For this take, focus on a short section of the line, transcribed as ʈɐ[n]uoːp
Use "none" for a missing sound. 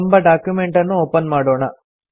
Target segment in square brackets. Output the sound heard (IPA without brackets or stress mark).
nː